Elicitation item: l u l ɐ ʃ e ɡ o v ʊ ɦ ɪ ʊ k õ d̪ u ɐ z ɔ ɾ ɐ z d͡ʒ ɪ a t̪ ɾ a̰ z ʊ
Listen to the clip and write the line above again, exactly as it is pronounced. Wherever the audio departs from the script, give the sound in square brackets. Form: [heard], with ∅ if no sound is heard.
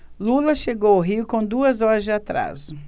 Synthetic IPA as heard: l u l ɐ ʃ e ɡ o [w] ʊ ɦ [i] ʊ k õ d̪ u ɐ z ɔ ɾ ɐ z d͡ʒ ɪ a t̪ ɾ a̰ z ʊ